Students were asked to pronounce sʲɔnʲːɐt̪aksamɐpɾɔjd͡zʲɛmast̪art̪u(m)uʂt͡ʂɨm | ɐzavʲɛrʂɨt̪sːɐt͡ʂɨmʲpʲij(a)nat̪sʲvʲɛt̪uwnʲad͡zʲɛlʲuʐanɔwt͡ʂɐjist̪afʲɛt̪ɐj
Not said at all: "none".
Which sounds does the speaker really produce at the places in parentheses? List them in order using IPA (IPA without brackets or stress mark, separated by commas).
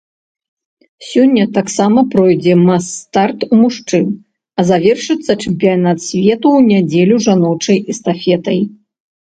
m, a